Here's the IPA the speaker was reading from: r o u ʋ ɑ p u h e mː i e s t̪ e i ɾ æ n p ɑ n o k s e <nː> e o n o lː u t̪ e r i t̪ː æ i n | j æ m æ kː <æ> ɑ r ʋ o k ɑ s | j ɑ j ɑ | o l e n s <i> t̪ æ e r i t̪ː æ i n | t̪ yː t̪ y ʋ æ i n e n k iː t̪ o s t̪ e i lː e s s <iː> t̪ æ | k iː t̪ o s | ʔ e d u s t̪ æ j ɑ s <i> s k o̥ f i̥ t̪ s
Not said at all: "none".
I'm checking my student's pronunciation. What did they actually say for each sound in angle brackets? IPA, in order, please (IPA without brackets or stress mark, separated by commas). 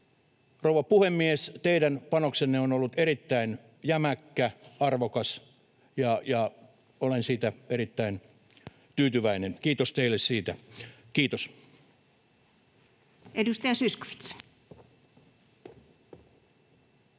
nː, æ, iː, iː, y